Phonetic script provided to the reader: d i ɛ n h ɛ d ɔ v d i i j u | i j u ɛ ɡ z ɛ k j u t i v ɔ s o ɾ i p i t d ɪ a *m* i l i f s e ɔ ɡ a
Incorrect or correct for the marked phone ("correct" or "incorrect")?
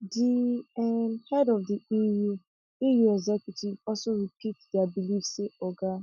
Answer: incorrect